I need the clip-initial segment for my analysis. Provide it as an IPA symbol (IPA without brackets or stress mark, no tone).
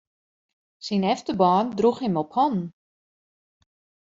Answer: s